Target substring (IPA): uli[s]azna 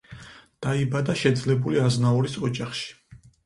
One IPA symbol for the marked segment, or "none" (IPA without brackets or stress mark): none